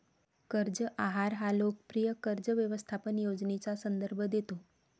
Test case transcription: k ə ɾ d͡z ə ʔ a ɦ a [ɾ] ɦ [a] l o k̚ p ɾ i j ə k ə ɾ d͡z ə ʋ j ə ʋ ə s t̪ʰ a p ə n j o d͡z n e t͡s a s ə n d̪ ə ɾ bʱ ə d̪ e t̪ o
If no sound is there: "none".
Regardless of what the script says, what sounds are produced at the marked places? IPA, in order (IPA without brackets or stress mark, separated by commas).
ɾ, a